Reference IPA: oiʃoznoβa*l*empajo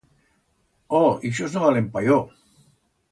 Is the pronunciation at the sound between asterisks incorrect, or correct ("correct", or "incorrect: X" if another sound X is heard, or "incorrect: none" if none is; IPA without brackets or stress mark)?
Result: correct